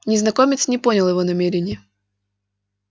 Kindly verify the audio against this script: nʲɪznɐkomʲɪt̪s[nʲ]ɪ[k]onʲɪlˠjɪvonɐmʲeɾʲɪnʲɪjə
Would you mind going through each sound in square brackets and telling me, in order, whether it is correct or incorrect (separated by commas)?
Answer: correct, incorrect